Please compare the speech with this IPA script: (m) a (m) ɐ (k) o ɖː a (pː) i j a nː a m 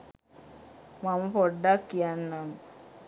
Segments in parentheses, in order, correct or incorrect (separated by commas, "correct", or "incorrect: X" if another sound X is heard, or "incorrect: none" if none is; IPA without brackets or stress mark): correct, correct, incorrect: p, incorrect: kː